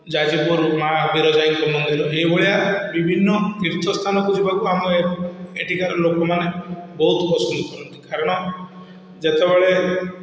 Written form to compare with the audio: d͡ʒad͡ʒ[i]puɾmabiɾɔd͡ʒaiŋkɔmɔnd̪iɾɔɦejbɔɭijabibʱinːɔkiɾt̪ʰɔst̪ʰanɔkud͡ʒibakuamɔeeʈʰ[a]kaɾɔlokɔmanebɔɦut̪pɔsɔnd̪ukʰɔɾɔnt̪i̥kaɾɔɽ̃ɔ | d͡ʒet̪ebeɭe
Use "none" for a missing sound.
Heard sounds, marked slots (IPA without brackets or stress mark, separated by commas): i, i